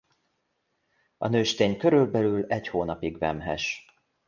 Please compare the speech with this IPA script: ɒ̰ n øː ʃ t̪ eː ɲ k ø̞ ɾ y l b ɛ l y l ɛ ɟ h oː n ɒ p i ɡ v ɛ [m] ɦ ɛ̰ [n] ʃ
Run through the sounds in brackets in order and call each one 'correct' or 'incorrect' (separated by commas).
correct, incorrect